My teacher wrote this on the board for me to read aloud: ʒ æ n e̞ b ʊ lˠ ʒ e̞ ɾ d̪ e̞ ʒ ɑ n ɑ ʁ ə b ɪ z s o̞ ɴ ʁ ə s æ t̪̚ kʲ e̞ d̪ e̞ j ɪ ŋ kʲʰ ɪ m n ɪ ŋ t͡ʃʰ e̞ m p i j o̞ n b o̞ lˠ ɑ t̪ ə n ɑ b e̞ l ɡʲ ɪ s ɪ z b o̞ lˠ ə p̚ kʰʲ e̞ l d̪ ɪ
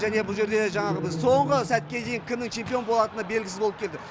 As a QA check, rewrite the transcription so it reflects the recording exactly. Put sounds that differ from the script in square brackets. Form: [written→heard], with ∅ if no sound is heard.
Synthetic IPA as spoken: ʒ æ n e̞ b ʊ lˠ ʒ e̞ ɾ d̪ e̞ ʒ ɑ [n→ɴ] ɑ ʁ ə b ɪ z s o̞ ɴ ʁ ə s æ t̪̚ kʲ e̞ d̪ e̞ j ɪ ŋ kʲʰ ɪ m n ɪ ŋ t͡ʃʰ e̞ m p i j o̞ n b o̞ lˠ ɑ t̪ ə n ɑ b e̞ l ɡʲ ɪ s ɪ z b o̞ lˠ ə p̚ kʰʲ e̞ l d̪ ɪ

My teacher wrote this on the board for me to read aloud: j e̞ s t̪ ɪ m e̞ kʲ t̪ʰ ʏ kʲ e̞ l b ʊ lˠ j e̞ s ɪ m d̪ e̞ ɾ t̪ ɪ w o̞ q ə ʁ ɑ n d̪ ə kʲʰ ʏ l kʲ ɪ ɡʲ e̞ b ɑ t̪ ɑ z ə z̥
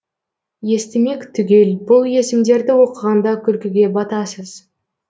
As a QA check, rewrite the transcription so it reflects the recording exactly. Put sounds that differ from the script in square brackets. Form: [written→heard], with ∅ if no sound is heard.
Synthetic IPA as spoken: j e̞ s t̪ ɪ m e̞ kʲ t̪ʰ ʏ [kʲ→ɡʲ] e̞ l b ʊ lˠ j e̞ s ɪ m d̪ e̞ ɾ [t̪→d̪] ɪ w o̞ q ə ʁ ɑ n d̪ [ə→ɑ] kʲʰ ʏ l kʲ ɪ ɡʲ e̞ b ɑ t̪ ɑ [z→s] ə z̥

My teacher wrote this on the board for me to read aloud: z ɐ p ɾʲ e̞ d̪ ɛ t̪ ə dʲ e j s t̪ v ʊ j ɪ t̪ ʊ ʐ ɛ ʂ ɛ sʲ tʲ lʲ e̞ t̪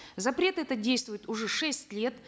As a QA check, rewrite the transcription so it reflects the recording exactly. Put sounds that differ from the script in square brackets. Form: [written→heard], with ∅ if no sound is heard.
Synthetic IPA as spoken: z ɐ p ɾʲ e̞ [d̪→t̪] ɛ t̪ ə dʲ e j s t̪ v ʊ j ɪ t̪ ʊ ʐ ɛ ʂ ɛ sʲ tʲ lʲ e̞ t̪

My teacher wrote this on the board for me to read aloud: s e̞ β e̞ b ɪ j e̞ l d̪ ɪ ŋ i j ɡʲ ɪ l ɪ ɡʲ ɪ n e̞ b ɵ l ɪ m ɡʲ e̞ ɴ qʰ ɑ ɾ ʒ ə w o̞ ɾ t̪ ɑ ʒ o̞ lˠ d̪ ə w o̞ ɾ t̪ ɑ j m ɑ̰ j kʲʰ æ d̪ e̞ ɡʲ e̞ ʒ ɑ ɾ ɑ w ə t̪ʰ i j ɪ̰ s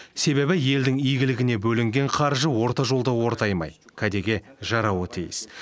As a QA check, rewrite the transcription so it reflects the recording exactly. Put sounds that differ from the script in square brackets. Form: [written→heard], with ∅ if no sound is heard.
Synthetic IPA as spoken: s e̞ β e̞ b ɪ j e̞ l d̪ ɪ ŋ i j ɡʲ ɪ l ɪ ɡʲ ɪ n e̞ b ɵ l ɪ [m→ŋ] ɡʲ e̞ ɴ qʰ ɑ ɾ ʒ ə w o̞ ɾ t̪ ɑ ʒ o̞ lˠ d̪ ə w o̞ ɾ t̪ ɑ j m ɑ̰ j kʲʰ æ d̪ e̞ ɡʲ e̞ ʒ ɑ ɾ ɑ w ə t̪ʰ i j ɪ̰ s

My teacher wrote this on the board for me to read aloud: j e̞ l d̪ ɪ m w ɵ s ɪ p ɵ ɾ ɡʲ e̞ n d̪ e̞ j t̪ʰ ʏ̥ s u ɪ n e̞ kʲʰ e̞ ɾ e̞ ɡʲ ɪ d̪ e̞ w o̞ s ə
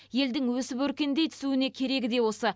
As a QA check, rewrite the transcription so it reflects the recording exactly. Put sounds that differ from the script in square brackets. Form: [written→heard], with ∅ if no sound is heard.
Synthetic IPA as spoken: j e̞ l d̪ ɪ [m→ŋ] w ɵ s ɪ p ɵ ɾ [ɡʲ→kʲ] e̞ n d̪ e̞ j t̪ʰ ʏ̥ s u ɪ n e̞ kʲʰ e̞ ɾ e̞ ɡʲ ɪ d̪ e̞ w o̞ s ə

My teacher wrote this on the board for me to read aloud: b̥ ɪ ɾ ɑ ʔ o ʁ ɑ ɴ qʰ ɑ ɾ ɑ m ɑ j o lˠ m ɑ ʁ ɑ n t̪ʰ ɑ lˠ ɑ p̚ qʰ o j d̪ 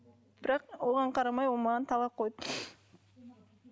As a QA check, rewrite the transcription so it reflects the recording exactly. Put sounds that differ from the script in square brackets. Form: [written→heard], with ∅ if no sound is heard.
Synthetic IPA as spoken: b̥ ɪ ɾ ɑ [ʔ→q] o ʁ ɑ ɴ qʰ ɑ ɾ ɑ m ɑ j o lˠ m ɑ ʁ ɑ n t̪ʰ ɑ lˠ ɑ p̚ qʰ o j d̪

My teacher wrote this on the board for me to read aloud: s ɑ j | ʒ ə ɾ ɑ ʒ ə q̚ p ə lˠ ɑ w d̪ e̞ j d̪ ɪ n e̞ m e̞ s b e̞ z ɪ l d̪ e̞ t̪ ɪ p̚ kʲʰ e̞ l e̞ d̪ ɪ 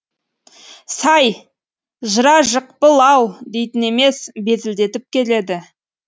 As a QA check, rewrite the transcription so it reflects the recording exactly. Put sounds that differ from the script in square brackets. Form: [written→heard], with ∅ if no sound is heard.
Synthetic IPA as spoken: s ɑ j | ʒ ə ɾ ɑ ʒ ə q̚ p ə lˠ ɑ w d̪ e̞ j [d̪→t̪] ɪ n e̞ m e̞ s b e̞ z ɪ l d̪ e̞ t̪ ɪ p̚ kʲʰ e̞ l e̞ d̪ ɪ

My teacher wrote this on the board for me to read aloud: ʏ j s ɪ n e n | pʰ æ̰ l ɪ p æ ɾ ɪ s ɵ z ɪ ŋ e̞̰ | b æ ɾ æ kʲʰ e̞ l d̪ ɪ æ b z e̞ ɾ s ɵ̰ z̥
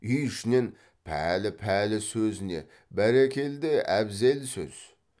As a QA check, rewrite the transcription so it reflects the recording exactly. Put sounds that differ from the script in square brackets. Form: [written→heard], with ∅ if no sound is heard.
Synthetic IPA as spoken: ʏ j [s→ʃ] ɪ n e n | pʰ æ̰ l ɪ [p→pʰ] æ [ɾ→l] ɪ s ɵ z ɪ [ŋ→n] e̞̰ | b æ ɾ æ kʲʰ e̞ l d̪ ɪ æ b z e̞ [ɾ→l] s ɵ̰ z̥

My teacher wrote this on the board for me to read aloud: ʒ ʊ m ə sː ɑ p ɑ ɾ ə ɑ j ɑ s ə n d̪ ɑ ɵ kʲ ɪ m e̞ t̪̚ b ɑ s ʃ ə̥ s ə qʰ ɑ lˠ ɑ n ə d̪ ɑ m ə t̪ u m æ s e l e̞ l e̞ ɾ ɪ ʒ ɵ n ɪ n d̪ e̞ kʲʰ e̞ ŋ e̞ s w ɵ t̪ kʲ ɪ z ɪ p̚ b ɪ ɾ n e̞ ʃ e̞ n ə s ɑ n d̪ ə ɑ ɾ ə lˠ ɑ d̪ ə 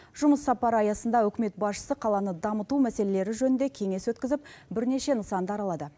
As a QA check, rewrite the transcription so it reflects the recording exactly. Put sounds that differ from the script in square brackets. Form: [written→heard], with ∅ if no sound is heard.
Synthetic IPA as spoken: ʒ ʊ m ə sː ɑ p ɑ ɾ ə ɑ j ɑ s ə n d̪ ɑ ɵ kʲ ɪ m e̞ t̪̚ b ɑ s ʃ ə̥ s ə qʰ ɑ lˠ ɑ n ə d̪ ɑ m ə t̪ u m æ s e l e̞ l e̞ ɾ ɪ ʒ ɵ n ɪ n d̪ e̞ kʲʰ e̞ ŋ e̞ s w ɵ t̪ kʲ ɪ z ɪ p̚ b ɪ ɾ n e̞ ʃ e̞ n ə s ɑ n d̪ ə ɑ ɾ [ə→ɑ] lˠ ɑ d̪ ə

